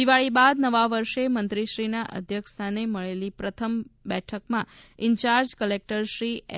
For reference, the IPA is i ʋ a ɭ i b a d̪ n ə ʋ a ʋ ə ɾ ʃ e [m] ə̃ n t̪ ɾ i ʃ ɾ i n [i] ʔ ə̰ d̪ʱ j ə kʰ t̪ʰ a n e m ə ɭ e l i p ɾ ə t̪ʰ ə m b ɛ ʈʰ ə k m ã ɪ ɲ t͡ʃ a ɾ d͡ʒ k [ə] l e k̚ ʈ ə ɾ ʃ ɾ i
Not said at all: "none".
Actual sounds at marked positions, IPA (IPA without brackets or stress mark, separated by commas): m, a, ə